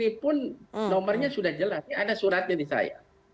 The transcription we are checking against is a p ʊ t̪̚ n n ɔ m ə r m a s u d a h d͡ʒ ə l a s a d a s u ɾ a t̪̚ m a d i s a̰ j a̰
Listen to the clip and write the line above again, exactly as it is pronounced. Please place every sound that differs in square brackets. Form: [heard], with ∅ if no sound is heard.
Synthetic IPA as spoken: [i] p ʊ [∅] n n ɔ m ə r [ɲ] a s u d a h d͡ʒ ə l a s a d a s u ɾ a t̪̚ [ɲ] a d i s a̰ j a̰